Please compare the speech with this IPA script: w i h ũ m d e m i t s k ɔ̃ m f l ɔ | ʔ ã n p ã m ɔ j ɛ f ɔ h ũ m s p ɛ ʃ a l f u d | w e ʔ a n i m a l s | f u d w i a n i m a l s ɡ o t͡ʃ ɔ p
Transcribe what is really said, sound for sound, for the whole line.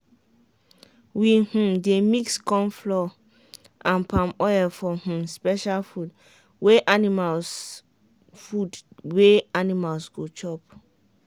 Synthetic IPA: w i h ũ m d e m i k s k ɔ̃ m f l ɔ | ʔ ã n p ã m ɔ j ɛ f ɔ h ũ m s p ɛ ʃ a l f u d | w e ʔ a n i m a l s | f u d w e a n i m a l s ɡ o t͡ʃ ɔ p